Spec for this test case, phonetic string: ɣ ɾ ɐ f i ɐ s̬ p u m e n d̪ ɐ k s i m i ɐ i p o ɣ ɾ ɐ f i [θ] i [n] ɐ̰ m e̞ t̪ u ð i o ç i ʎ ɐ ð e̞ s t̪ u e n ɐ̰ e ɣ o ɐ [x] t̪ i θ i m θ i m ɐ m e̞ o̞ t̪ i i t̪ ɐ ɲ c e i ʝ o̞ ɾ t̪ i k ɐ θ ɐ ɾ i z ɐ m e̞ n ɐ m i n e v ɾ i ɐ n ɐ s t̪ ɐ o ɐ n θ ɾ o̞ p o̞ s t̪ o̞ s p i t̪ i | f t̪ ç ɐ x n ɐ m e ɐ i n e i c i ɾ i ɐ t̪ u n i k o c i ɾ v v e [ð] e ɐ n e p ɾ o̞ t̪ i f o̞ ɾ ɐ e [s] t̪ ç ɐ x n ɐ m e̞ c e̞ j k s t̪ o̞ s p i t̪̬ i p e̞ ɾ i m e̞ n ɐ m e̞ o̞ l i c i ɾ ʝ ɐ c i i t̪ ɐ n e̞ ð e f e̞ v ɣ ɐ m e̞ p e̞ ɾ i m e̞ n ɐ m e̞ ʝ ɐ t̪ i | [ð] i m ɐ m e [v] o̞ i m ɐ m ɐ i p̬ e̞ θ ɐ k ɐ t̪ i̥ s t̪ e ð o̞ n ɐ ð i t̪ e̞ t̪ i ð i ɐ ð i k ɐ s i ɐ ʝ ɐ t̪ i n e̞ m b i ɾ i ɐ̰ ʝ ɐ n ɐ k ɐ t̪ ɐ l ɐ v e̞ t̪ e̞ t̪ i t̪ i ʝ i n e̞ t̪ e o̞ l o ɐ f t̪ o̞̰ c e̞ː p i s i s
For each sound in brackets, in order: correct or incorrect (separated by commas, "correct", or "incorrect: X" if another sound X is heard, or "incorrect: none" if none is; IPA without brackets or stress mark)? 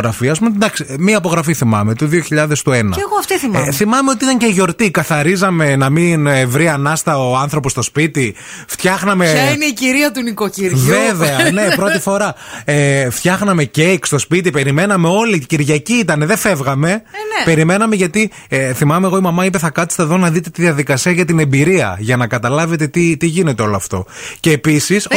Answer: correct, incorrect: m, incorrect: f, incorrect: v, incorrect: f, incorrect: θ, incorrect: ɣ